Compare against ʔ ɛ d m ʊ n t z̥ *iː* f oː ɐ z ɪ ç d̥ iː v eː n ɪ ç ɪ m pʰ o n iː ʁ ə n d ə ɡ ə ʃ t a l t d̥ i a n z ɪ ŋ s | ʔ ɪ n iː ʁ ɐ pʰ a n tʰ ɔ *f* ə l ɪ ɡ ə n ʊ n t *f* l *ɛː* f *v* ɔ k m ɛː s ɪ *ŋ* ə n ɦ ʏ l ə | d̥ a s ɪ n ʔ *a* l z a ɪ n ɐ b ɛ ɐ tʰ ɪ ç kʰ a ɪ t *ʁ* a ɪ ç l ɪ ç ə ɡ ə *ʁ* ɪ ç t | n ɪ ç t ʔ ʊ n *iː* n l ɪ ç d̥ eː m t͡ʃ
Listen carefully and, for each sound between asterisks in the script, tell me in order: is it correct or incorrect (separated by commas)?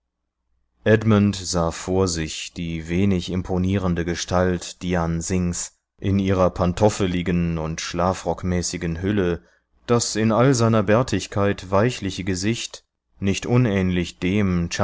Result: incorrect, correct, incorrect, incorrect, incorrect, incorrect, correct, incorrect, incorrect, incorrect